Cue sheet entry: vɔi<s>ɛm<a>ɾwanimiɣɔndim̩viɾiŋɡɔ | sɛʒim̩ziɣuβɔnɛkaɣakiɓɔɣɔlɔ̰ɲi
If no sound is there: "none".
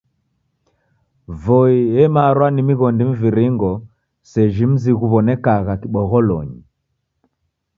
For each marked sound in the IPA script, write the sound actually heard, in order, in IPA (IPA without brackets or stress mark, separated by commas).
none, a